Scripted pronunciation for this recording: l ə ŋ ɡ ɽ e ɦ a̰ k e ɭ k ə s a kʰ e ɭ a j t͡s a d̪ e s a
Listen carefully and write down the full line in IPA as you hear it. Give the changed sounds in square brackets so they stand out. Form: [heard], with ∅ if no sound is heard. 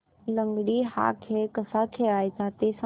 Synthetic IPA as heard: l ə ŋ ɡ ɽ [i] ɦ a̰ [kʰ] e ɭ k ə s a kʰ e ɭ a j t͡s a [t̪] e s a

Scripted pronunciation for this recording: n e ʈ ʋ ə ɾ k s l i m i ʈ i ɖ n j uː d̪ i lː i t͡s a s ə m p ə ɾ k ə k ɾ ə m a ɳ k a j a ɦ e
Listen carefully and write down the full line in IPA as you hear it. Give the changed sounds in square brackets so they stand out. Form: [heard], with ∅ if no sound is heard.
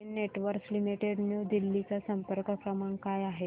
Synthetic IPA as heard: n e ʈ ʋ ə ɾ k s l i m i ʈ [e] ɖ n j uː d̪ i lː i t͡s a s ə m p ə ɾ k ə k ɾ ə m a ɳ k a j a ɦ e

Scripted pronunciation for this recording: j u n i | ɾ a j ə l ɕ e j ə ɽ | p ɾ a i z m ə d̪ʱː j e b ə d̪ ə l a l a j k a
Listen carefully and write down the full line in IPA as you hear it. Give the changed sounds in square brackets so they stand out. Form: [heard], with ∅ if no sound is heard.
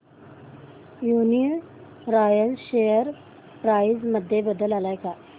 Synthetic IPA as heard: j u n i | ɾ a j ə l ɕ e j ə [ɾ] | p ɾ a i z m ə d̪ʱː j e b ə d̪ ə l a l a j k a

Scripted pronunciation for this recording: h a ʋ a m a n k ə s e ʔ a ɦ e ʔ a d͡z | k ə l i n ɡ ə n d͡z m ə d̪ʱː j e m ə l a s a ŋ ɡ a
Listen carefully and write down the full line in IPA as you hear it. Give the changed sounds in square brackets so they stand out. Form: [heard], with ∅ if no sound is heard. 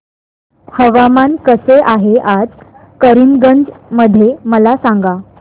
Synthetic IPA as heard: h [ə] ʋ a m a n k ə s e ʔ a ɦ e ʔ a d͡z | k ə [ɾ] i n ɡ ə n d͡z m ə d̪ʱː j e m ə l a s a ŋ ɡ a

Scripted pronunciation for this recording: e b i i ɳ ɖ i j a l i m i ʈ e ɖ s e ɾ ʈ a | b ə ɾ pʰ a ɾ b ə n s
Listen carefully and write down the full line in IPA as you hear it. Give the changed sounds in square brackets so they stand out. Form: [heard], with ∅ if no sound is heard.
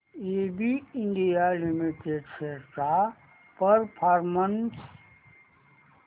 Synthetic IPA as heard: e b i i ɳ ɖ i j a l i m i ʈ e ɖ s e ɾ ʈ a | [p] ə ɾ pʰ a ɾ [m] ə n s

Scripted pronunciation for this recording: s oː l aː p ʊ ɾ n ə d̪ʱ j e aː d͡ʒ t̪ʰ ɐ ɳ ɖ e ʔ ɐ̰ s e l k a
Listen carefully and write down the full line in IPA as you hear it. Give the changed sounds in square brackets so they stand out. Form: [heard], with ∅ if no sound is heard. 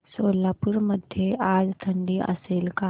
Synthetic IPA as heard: s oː l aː p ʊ ɾ [m] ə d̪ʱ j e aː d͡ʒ t̪ʰ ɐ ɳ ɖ [i] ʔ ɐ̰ s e l k a

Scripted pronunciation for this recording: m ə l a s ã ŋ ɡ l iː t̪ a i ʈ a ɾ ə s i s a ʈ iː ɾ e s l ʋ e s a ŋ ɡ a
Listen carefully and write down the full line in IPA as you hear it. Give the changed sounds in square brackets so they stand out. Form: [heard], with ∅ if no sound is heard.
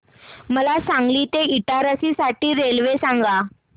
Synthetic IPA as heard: m ə l a s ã ŋ ɡ l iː t̪ [e] i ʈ a ɾ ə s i s a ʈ iː ɾ e [∅] l ʋ e s a ŋ ɡ a

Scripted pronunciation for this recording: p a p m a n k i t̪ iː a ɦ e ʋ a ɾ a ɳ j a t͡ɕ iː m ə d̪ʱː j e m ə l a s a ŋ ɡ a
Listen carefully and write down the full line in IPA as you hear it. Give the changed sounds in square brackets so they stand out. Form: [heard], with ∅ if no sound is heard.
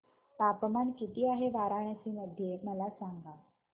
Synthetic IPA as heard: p a p m a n k i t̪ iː a ɦ e ʋ a ɾ a ɳ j a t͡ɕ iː m ə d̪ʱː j e m ə l a s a ŋ ɡ a

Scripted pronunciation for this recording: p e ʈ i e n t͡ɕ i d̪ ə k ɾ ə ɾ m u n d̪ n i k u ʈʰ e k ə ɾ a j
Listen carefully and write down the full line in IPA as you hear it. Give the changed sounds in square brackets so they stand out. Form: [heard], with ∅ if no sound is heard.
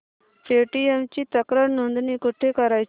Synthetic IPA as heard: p e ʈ i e [m] t͡ɕ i [t̪] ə k ɾ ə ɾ [n] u n d̪ n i k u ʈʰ e k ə ɾ a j

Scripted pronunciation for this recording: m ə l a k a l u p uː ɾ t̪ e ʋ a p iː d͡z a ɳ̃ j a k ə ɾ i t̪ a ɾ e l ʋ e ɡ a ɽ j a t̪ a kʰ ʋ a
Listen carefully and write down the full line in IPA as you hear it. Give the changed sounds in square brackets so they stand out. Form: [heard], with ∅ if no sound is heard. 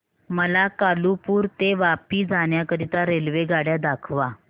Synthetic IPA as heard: m ə l a k a l u p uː ɾ t̪ e ʋ a p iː d͡z a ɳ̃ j a k ə ɾ i t̪ a ɾ e l ʋ e ɡ a ɽ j a [d̪] a kʰ ʋ a

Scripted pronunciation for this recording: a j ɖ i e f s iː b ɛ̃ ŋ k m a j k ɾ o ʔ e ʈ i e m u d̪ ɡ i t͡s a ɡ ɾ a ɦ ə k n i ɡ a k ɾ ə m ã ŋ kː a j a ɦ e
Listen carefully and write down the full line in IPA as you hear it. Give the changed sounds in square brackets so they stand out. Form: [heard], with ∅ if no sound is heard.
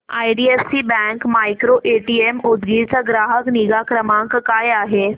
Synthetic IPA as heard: a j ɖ i e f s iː b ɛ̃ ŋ k m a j k ɾ o ʔ e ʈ i e m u d̪ ɡ i t͡s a ɡ ɾ a ɦ ə k n i ɡ a k ɾ ə m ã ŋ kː a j a ɦ e

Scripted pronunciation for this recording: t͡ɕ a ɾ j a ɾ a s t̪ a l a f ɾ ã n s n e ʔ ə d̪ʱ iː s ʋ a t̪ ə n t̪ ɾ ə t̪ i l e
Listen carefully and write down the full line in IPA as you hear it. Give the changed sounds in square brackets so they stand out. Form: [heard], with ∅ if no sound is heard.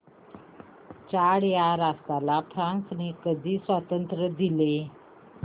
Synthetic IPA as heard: t͡ɕ a [ɽ] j a ɾ a s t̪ a l a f ɾ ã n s n e [k] ə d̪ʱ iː s ʋ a t̪ ə n t̪ ɾ ə [d̪] i l e

